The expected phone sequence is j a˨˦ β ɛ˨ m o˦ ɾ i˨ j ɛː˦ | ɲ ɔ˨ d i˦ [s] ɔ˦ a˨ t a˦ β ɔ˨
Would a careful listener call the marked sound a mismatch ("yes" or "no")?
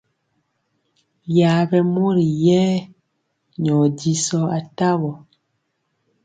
no